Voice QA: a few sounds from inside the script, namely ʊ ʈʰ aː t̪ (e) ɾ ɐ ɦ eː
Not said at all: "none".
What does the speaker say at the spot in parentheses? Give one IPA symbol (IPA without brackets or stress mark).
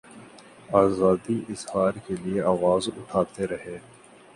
e